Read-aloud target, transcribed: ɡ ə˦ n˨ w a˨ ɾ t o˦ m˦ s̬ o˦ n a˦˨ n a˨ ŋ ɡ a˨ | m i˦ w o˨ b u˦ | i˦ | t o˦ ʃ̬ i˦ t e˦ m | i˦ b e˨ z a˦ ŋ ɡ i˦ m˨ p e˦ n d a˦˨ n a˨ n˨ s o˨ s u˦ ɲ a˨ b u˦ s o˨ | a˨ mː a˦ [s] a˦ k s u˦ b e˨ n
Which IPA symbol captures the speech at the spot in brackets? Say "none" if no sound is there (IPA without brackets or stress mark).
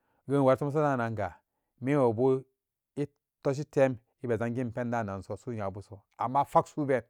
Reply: f